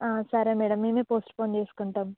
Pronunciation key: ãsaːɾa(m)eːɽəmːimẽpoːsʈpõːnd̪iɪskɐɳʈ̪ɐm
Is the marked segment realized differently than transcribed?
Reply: no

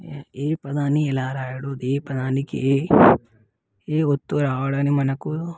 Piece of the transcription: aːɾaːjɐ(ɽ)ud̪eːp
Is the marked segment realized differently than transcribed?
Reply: no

